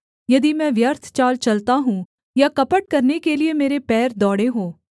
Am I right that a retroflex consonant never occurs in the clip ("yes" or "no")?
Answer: no